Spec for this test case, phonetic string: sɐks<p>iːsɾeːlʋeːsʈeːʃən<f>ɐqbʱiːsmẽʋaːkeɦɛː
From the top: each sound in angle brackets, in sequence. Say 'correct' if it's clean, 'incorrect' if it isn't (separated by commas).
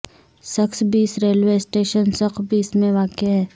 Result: incorrect, incorrect